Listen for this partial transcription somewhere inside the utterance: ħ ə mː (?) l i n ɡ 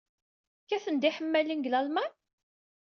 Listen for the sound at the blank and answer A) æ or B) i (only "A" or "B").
A